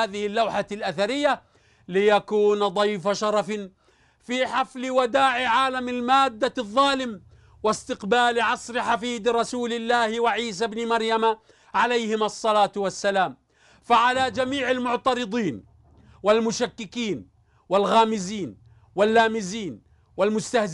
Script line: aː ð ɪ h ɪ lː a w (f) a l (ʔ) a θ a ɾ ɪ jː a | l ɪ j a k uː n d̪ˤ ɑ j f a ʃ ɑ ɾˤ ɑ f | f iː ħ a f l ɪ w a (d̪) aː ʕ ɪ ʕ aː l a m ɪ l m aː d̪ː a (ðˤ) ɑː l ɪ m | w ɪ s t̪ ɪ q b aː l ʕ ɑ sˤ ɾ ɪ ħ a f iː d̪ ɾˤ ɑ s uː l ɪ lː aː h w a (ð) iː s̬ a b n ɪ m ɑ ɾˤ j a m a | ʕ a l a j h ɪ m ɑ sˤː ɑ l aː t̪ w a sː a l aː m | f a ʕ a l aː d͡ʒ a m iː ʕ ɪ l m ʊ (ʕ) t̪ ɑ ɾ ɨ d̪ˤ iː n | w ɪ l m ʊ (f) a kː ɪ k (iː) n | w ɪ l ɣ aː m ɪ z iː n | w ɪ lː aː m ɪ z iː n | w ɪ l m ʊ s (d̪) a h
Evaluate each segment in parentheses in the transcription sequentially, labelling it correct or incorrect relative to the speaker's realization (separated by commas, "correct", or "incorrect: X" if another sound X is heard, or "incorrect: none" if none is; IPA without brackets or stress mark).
incorrect: ħ, correct, correct, incorrect: ðˤː, incorrect: ʕ, correct, incorrect: ʃ, correct, incorrect: t̪